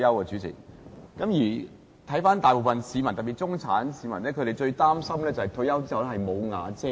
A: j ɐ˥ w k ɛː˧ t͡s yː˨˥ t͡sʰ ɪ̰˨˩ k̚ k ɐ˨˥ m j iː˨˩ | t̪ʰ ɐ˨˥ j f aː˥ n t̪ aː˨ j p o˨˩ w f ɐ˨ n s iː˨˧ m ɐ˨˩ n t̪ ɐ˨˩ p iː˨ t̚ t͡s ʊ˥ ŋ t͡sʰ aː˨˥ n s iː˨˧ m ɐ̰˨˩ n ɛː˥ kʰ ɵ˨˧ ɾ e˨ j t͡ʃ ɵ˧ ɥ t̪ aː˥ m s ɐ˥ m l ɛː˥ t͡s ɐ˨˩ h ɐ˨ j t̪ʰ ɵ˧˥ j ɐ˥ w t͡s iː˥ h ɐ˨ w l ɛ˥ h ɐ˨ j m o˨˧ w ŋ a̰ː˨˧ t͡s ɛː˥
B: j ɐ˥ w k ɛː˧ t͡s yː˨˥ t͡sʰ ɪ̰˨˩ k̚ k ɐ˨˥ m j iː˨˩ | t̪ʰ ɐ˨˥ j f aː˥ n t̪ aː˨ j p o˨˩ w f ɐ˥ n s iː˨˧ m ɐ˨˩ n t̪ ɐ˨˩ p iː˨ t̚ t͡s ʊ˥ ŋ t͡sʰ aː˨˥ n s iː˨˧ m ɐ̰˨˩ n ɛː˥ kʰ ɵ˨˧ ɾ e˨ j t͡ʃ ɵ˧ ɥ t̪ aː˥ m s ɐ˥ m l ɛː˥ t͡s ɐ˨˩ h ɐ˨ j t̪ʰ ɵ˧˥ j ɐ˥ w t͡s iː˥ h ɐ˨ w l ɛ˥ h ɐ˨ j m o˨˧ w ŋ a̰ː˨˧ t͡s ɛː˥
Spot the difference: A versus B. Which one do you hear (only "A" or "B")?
A